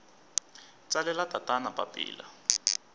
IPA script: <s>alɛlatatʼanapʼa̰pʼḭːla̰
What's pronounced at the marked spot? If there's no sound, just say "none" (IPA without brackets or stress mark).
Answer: t͡s